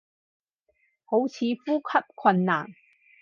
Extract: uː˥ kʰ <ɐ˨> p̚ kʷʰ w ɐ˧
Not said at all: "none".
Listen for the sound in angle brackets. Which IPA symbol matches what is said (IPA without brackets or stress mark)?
ɐ˥